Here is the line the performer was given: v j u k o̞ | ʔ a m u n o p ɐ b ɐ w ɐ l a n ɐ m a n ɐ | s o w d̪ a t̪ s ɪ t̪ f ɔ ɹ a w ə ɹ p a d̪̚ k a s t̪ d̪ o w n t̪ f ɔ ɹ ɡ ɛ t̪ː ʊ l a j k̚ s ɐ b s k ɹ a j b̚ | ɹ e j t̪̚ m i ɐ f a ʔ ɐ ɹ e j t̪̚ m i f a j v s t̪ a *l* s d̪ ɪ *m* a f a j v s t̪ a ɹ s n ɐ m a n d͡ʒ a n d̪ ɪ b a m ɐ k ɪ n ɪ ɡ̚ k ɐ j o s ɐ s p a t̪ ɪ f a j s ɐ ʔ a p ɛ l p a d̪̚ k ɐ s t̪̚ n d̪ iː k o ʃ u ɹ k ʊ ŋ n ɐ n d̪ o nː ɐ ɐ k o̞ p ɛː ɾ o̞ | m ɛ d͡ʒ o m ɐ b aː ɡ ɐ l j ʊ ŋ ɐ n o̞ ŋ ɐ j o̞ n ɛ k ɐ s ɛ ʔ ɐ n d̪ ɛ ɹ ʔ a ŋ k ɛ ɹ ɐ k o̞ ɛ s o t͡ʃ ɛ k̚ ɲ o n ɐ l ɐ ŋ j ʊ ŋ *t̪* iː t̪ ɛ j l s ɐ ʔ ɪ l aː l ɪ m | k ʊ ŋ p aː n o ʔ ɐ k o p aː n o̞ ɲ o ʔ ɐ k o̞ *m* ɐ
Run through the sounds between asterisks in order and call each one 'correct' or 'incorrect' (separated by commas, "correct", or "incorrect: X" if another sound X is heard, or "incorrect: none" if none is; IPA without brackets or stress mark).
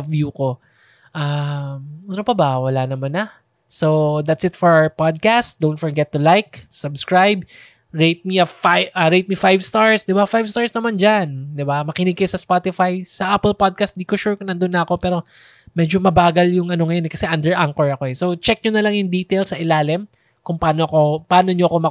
incorrect: ɹ, incorrect: b, incorrect: d̪, correct